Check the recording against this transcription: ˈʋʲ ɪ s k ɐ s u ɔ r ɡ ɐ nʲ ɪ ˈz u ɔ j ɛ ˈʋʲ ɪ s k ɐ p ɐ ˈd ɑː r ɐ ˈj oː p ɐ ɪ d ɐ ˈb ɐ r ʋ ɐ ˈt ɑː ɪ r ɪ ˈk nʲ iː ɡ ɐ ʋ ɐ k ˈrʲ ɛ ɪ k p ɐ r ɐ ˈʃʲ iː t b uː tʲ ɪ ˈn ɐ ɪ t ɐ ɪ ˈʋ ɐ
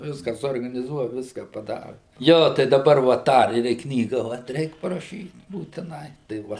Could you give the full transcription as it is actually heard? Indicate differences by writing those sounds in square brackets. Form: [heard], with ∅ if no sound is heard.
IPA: ˈʋʲ ɪ s k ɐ s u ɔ r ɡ ɐ nʲ ɪ ˈz u ɔ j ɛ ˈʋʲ ɪ s k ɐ p ɐ ˈd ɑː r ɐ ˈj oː [t] ɐ ɪ d ɐ ˈb ɐ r ʋ ɐ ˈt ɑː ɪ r ɪ ˈk nʲ iː ɡ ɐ ʋ ɐ [t] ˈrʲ ɛ ɪ k p ɐ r ɐ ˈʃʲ iː t b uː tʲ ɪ ˈn ɐ ɪ t ɐ ɪ ˈʋ ɐ

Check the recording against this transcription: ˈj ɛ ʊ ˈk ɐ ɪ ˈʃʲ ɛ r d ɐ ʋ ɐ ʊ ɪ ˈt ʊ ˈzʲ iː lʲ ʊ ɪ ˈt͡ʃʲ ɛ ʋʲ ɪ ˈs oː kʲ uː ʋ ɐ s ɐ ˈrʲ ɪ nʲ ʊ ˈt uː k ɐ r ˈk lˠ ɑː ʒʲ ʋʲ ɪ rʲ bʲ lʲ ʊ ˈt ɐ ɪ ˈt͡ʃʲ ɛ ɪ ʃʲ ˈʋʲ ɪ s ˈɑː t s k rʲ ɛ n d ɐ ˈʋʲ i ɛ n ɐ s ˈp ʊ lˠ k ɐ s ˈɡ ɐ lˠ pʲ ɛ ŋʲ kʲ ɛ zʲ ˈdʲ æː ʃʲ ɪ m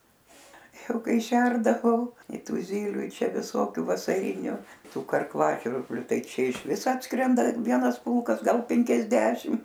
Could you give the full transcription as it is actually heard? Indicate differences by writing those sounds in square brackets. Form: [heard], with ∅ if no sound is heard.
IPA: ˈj ɛ ʊ ˈk ɐ ɪ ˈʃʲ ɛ r d ɐ ʋ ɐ ʊ ɪ ˈt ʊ ˈzʲ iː lʲ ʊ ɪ ˈt͡ʃʲ ɛ ʋʲ ɪ ˈs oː kʲ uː ʋ ɐ s ɐ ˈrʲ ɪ nʲ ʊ ˈt uː k ɐ r ˈk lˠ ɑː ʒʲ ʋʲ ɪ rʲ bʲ lʲ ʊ ˈt ɐ ɪ ˈt͡ʃʲ ɛ ɪ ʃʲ ˈʋʲ ɪ s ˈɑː t s k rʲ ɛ n d ɐ ˈʋʲ i ɛ n ɐ s ˈp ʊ lˠ k ɐ s ˈɡ ɐ lˠ pʲ ɛ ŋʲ kʲ ɛ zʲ ˈdʲ æː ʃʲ ɪ m

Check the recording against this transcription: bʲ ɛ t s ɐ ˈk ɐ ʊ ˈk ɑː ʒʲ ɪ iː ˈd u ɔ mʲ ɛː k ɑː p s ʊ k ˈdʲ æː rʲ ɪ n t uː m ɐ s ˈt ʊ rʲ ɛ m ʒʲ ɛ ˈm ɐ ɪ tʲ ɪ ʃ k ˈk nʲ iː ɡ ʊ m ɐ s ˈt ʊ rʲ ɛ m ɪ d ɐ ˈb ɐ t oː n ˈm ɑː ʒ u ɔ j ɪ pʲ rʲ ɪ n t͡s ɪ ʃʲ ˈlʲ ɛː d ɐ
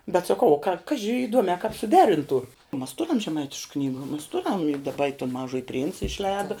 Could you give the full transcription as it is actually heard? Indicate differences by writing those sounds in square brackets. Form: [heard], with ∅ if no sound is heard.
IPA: bʲ ɛ t s ɐ ˈk ɐ ʊ ˈk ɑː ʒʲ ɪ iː ˈd u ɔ mʲ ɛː k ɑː p s ʊ [∅] ˈdʲ æː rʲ ɪ n t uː m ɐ s ˈt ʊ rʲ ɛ m ʒʲ ɛ ˈm ɐ ɪ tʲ ɪ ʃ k ˈk nʲ iː ɡ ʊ m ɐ s ˈt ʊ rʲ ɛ m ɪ d ɐ ˈb ɐ t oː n ˈm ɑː ʒ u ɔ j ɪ pʲ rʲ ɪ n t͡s ɪ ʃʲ ˈlʲ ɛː d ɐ

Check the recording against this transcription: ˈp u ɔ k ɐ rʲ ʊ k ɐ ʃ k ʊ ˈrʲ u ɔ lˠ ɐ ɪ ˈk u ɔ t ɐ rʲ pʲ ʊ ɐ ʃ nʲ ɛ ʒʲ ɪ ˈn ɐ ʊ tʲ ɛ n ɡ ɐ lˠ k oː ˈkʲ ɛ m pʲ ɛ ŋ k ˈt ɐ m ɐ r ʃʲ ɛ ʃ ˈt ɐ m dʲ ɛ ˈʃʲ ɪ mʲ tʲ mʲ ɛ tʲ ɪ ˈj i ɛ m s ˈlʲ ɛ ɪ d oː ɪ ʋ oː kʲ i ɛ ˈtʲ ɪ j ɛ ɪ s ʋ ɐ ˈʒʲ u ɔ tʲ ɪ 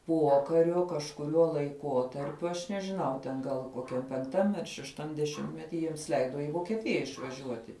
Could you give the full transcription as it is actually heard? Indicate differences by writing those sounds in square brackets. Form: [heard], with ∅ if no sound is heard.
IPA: ˈp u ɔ k ɐ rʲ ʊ k ɐ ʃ k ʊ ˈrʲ u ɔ lˠ ɐ ɪ ˈk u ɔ t ɐ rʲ pʲ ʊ ɐ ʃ nʲ ɛ ʒʲ ɪ ˈn ɐ ʊ tʲ ɛ n ɡ ɐ lˠ k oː ˈkʲ ɛ m pʲ ɛ ŋ k ˈt ɐ m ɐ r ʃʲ ɛ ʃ ˈt ɐ m dʲ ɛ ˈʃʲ ɪ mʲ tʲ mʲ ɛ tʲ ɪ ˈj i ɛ m s ˈlʲ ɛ ɪ d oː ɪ ʋ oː kʲ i ɛ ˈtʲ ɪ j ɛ ɪ [ʃ] ʋ ɐ ˈʒʲ u ɔ tʲ ɪ

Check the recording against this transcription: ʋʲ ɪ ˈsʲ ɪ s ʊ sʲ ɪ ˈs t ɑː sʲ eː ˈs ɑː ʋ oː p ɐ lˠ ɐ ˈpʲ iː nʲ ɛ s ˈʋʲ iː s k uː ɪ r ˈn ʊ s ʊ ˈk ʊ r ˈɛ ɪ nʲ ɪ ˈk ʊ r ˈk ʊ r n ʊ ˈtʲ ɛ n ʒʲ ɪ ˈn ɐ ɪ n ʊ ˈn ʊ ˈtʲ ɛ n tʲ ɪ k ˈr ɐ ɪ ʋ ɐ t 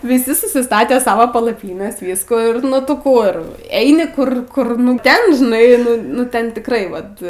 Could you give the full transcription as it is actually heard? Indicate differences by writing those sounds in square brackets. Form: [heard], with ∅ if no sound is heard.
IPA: ʋʲ ɪ ˈsʲ ɪ s ʊ sʲ ɪ ˈs t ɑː [tʲ] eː ˈs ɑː ʋ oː p ɐ lˠ ɐ ˈpʲ iː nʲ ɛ s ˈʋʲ iː s k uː ɪ r ˈn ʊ [t] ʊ ˈk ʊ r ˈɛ ɪ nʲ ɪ ˈk ʊ r ˈk ʊ r n ʊ ˈtʲ ɛ n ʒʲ ɪ ˈn ɐ ɪ n ʊ ˈn ʊ ˈtʲ ɛ n tʲ ɪ k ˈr ɐ ɪ ʋ ɐ t

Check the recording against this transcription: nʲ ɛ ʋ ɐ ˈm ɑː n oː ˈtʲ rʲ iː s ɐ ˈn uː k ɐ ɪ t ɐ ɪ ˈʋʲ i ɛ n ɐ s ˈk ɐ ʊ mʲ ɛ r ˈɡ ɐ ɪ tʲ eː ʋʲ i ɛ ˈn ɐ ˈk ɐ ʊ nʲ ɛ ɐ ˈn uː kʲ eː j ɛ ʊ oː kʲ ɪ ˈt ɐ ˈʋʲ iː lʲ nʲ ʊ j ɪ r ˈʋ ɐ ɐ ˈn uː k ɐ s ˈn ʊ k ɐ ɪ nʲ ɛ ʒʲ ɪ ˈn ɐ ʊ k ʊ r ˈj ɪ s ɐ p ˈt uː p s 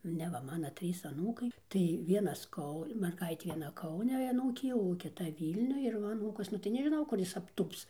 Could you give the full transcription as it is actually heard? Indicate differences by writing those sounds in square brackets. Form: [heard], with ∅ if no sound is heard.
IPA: nʲ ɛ ʋ ɐ ˈm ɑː n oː ˈtʲ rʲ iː s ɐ ˈn uː k ɐ ɪ t ɐ ɪ ˈʋʲ i ɛ n ɐ s ˈk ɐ ʊ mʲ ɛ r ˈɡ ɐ ɪ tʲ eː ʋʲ i ɛ ˈn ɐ ˈk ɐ ʊ nʲ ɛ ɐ ˈn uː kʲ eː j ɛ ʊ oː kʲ ɪ ˈt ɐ ˈʋʲ iː lʲ nʲ ʊ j ɪ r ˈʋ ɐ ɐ ˈn uː k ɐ s ˈn ʊ [t] ɐ ɪ nʲ ɛ ʒʲ ɪ ˈn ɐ ʊ k ʊ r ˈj ɪ s ɐ p ˈt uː p s

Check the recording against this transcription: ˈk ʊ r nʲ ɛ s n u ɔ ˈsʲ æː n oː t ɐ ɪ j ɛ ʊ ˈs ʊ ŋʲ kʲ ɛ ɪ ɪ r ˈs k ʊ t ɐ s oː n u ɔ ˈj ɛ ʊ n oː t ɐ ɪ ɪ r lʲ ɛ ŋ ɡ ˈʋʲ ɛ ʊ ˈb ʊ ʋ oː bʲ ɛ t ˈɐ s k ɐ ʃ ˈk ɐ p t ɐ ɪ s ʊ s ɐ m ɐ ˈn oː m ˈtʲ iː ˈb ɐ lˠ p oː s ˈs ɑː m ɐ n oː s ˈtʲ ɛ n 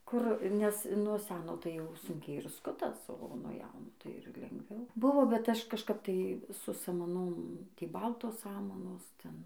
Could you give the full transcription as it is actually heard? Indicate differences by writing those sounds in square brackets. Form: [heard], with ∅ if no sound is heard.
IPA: ˈk ʊ r nʲ ɛ s n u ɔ ˈsʲ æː n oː t ɐ ɪ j ɛ ʊ ˈs ʊ ŋʲ kʲ ɛ ɪ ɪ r ˈs k ʊ t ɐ s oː n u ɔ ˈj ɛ ʊ n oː t ɐ ɪ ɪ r lʲ ɛ ŋ ɡ ˈʋʲ ɛ ʊ ˈb ʊ ʋ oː bʲ ɛ t ˈɐ [ʃ] k ɐ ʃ ˈk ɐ p t ɐ ɪ s ʊ s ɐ m ɐ ˈn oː m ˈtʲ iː ˈb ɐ lˠ [t] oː s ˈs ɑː m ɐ n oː s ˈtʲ ɛ n

